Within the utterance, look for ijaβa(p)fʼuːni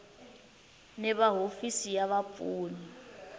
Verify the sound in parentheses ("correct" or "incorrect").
correct